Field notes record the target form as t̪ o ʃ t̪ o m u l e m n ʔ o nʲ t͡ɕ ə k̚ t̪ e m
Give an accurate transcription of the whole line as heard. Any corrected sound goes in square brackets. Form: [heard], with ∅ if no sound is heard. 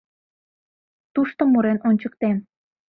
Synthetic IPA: t̪ [u] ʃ t̪ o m u [ɾ] e [∅] n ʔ o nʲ t͡ɕ ə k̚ t̪ e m